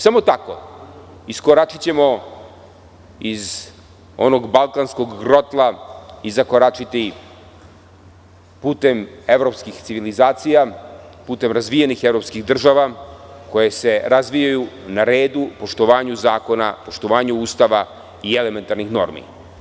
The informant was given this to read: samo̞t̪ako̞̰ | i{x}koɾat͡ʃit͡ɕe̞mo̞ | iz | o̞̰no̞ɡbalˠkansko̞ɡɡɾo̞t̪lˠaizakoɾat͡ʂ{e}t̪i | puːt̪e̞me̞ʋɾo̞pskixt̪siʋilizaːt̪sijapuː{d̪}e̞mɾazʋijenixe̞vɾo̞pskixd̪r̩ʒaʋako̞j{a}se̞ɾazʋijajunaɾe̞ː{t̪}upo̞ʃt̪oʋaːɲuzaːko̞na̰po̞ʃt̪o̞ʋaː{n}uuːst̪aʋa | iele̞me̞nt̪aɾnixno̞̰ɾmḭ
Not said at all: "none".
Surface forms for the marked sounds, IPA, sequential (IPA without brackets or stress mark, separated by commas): s, i, t̪, e, d̪, ɲ